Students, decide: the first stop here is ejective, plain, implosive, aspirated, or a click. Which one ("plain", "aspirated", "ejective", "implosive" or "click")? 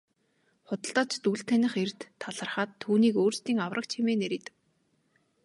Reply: plain